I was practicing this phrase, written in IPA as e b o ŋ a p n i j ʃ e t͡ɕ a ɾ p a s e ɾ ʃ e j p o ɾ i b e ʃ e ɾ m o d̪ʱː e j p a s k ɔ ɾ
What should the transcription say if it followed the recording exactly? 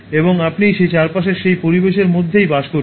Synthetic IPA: e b o ŋ a p n i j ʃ e t͡ɕ a ɾ p a ʃ e ɾ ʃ e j p o ɾ i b e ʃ e ɾ m o d̪ʱː e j b a ʃ k o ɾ